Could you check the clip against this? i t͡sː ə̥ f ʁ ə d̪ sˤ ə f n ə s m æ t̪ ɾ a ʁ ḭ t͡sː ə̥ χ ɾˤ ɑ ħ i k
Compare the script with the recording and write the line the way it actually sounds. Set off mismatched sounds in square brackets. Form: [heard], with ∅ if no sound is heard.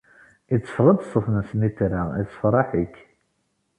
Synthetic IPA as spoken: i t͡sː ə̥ f ʁ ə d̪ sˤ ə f n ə s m [i] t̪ ɾ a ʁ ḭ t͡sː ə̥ [f] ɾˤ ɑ ħ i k